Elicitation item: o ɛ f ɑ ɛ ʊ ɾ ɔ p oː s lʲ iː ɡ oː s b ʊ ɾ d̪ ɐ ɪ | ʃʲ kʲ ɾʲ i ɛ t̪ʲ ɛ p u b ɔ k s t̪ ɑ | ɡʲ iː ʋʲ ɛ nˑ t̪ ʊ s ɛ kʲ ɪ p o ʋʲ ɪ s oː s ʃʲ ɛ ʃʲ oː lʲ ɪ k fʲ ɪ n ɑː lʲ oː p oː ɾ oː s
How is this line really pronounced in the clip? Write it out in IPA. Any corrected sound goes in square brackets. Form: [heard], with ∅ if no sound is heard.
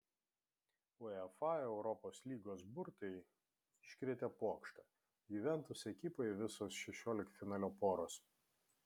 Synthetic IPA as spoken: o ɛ f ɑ ɛ ʊ ɾ ɔ p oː s lʲ iː ɡ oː s b ʊ ɾ [t̪] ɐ ɪ | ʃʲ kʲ ɾʲ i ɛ t̪ʲ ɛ p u [∅] ɔ k [ʃ] t̪ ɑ | ɡʲ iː ʋʲ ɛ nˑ t̪ ʊ s ɛ kʲ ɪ p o ʋʲ ɪ s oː s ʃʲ ɛ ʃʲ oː lʲ ɪ k fʲ ɪ n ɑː lʲ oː p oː ɾ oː s